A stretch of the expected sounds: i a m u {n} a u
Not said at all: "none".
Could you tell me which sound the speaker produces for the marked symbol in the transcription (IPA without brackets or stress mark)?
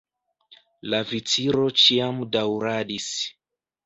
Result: d